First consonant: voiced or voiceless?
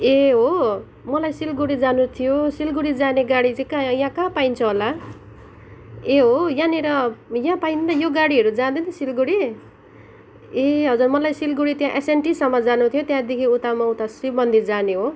voiced